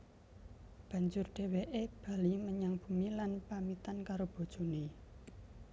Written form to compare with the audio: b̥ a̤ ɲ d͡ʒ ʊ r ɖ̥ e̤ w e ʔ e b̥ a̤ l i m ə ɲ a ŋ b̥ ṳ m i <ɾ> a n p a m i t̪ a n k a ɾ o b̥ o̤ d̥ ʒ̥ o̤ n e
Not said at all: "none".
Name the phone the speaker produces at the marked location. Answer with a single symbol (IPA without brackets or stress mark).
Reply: l